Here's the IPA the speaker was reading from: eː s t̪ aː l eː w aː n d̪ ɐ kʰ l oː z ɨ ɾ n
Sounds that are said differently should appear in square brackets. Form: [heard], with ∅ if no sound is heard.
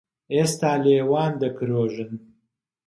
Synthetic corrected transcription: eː s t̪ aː l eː w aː n d̪ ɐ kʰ [ɾ] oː [ʒ] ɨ [∅] n

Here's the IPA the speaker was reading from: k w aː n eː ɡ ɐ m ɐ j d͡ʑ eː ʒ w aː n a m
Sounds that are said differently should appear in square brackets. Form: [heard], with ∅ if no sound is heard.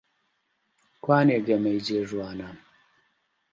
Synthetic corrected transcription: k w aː n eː ɡ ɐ m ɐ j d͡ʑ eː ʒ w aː n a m

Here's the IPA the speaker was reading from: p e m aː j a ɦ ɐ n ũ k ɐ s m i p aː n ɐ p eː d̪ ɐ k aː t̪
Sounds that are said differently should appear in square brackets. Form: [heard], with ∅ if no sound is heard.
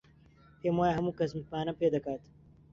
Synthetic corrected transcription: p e m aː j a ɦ ɐ [m] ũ k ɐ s m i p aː n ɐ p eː d̪ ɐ k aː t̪

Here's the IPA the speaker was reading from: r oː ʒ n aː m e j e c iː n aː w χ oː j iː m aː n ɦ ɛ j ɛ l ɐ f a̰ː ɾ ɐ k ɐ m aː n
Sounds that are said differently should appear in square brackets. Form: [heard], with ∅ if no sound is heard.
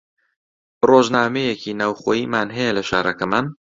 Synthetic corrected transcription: r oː ʒ n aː m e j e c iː n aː w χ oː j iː m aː n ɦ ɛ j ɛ l ɐ [ʃ] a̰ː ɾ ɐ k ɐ m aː n

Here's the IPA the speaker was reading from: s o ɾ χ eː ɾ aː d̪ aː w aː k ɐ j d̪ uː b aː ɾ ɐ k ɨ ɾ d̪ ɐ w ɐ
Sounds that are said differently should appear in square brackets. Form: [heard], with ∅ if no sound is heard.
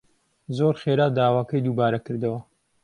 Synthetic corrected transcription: [z] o ɾ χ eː ɾ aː d̪ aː w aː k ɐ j d̪ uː b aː ɾ ɐ k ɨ ɾ d̪ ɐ w ɐ

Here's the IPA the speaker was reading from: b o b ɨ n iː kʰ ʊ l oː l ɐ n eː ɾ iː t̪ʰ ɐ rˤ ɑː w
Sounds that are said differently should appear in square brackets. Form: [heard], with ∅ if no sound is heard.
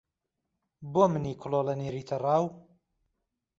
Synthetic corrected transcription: b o [m] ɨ n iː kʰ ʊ l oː l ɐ n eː ɾ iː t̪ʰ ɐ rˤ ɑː w

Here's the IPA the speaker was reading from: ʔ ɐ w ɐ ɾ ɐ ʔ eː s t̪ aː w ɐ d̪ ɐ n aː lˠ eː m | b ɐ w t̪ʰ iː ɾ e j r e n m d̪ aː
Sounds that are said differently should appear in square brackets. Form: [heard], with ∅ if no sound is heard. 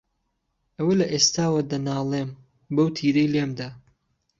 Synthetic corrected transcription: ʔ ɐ w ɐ [l] ɐ ʔ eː s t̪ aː w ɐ d̪ ɐ n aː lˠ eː m | b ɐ w t̪ʰ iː ɾ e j [l] e [∅] m d̪ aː

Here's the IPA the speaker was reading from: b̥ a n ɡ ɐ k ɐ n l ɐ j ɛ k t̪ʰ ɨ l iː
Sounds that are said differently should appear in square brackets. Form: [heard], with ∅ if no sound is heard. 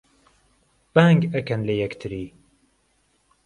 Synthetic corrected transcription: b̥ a [ŋ] ɡ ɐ k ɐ n l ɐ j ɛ k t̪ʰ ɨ [ɾ] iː

